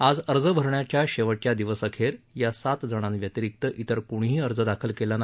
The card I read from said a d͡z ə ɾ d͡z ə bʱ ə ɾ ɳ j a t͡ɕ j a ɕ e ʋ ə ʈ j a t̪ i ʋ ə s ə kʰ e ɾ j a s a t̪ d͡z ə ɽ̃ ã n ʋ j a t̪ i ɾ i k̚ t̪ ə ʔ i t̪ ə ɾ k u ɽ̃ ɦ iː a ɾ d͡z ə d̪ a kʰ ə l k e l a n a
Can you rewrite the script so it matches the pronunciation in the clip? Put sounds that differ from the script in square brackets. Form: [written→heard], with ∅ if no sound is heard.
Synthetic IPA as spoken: a d͡z ə ɾ d͡z ə bʱ ə ɾ ɳ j a t͡ɕ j a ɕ e ʋ ə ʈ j a [t̪→d̪] i ʋ ə s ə kʰ e ɾ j a s a t̪ d͡z ə ɽ̃ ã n ʋ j [a→ə] t̪ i ɾ i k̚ t̪ ə ʔ i t̪ ə ɾ k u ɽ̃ ɦ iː [a→ə] ɾ d͡z ə d̪ a kʰ ə l k e l a n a